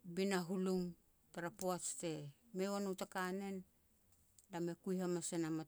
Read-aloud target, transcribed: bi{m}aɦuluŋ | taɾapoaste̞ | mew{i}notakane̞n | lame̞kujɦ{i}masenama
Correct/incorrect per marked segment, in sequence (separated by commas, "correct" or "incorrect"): incorrect, incorrect, incorrect